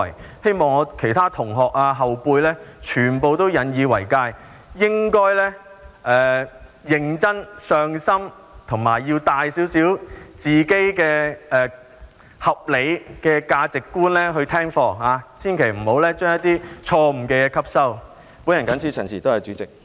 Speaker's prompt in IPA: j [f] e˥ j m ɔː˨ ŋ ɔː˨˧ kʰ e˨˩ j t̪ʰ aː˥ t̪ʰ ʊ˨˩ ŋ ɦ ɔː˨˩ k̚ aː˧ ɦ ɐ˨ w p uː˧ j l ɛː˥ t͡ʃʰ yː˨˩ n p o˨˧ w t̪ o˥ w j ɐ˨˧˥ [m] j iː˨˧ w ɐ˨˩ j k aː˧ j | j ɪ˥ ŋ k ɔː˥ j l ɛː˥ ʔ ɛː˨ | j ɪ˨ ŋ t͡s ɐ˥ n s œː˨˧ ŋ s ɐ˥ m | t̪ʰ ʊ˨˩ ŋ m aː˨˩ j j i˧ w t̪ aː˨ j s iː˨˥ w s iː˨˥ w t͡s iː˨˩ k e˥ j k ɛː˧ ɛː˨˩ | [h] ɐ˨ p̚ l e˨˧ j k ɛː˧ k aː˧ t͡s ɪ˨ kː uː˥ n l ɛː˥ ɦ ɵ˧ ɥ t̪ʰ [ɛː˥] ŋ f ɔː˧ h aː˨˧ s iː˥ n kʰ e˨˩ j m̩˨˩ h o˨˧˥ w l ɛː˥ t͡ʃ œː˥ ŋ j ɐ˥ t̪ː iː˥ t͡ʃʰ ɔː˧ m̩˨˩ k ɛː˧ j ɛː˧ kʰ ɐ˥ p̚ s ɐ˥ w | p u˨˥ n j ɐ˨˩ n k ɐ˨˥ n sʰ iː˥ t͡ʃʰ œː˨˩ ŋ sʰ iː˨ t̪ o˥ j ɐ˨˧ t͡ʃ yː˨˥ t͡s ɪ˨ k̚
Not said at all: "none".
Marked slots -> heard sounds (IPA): h, n, h, ɛː˥

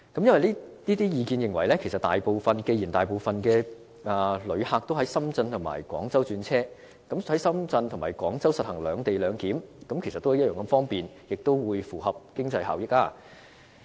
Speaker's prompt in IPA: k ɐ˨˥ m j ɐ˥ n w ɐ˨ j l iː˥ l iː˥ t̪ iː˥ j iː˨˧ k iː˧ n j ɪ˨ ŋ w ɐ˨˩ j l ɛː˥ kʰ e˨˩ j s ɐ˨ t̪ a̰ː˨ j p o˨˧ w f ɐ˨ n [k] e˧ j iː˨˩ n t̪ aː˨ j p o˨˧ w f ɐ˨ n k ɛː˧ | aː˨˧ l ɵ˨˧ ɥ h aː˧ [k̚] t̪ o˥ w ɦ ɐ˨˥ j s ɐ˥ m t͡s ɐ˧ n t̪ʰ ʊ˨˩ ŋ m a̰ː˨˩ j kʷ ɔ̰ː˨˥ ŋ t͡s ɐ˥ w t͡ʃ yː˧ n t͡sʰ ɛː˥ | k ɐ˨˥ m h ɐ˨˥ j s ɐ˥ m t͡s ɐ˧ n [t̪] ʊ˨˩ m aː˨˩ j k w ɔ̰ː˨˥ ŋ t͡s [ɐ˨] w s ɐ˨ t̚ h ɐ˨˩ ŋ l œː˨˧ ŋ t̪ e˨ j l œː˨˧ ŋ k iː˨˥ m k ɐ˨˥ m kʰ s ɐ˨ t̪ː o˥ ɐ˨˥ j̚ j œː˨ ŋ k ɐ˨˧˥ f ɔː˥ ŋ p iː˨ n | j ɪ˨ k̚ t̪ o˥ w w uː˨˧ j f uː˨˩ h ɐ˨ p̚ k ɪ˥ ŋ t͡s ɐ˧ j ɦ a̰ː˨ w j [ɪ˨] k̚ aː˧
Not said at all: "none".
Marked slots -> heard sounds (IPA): k, k̚, t̪ʰ, ɐ˥, ɪ˥

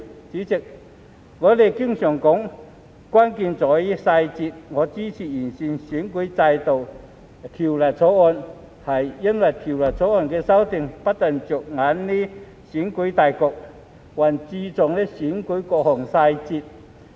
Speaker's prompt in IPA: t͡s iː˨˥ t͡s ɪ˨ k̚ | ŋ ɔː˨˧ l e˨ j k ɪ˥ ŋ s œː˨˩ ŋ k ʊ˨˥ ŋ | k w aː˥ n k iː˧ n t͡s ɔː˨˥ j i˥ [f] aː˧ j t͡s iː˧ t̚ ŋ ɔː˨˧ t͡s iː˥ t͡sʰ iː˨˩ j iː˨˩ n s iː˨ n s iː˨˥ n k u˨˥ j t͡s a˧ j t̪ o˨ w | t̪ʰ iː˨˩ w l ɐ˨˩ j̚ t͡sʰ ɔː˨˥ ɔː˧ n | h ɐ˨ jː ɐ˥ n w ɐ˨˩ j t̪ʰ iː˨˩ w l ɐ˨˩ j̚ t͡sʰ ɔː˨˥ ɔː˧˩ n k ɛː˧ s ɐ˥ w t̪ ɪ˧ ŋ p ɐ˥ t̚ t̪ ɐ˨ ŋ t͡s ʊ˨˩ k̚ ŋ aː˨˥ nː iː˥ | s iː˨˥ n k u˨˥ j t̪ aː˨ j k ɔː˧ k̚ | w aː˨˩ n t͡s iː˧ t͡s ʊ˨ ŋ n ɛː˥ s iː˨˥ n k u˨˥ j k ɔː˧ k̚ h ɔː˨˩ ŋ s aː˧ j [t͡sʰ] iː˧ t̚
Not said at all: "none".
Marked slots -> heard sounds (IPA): s, t͡s

